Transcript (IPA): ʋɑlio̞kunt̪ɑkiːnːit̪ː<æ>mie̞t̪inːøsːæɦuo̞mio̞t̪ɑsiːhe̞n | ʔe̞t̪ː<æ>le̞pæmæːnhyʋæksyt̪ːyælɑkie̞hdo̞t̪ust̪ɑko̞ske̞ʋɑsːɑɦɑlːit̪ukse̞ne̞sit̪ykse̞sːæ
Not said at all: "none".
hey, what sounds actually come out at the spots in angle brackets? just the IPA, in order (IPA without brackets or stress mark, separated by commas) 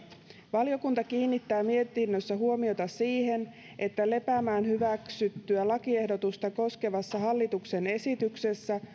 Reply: æː, æ